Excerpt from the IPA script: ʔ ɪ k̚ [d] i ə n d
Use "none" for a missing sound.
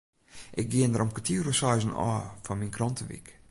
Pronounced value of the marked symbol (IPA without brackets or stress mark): ɡ